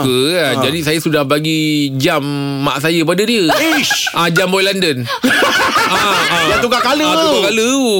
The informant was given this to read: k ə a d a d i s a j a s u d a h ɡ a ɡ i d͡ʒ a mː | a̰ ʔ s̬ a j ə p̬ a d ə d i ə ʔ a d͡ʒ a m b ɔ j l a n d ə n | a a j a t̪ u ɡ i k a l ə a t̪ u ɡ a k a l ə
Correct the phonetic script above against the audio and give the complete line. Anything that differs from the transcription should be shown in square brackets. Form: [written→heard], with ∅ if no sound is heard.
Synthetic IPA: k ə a [d→d͡ʒ] a d i s a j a s u d a h [ɡ→b] a ɡ i d͡ʒ a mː | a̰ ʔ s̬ a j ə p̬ a d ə d i ə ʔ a d͡ʒ a m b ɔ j l a n d ə n | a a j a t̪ u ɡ [i→a] k a l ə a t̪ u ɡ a k a l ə